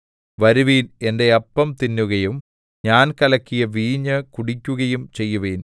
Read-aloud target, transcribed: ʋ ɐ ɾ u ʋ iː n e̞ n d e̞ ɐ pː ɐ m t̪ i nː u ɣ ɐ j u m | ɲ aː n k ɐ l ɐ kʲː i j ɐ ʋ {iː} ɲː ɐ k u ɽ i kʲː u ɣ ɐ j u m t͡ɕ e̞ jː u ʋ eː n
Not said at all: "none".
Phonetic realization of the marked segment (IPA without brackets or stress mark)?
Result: iː